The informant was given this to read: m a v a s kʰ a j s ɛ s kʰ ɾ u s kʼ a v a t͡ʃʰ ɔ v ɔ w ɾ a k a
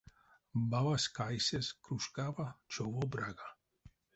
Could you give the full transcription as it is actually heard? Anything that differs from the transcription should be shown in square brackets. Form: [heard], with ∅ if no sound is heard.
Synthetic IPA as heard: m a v a s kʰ a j s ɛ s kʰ ɾ u [ʃ] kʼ a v a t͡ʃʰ ɔ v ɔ [b] ɾ a [ɡ] a